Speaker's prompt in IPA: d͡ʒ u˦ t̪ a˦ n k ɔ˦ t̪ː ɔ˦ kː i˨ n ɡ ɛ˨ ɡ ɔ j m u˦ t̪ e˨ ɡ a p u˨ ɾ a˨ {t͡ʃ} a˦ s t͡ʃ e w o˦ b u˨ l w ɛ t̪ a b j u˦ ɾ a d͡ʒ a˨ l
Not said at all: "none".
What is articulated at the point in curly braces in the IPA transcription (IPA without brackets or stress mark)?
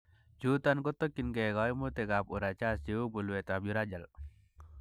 t͡ʃ